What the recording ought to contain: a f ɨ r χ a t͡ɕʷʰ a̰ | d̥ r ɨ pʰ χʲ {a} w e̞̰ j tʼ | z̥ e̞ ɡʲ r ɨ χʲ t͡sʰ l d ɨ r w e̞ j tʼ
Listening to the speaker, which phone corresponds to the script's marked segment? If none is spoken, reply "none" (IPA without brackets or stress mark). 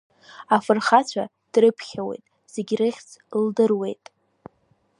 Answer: a